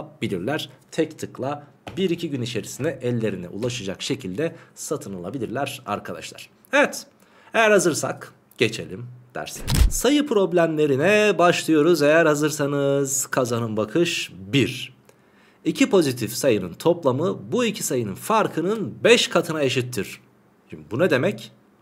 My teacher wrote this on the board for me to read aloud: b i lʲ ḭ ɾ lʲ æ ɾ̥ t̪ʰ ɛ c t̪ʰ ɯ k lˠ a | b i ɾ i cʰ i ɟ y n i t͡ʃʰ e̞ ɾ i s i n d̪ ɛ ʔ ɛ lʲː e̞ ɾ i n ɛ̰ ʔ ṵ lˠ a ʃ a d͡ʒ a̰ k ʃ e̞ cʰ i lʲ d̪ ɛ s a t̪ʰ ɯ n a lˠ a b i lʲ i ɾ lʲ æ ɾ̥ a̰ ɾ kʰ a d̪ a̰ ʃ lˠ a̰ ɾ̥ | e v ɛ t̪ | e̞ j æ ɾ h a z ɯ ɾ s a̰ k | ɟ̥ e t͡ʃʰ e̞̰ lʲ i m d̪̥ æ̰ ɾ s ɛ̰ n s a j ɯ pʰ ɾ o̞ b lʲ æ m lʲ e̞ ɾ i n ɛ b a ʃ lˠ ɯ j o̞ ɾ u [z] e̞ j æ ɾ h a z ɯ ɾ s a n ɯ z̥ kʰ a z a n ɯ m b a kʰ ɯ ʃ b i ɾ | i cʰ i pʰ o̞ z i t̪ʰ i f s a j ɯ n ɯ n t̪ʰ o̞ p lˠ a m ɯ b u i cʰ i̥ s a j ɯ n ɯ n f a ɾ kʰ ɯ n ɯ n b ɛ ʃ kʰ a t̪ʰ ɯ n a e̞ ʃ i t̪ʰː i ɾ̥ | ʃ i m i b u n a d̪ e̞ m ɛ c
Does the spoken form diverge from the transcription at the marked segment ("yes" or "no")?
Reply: no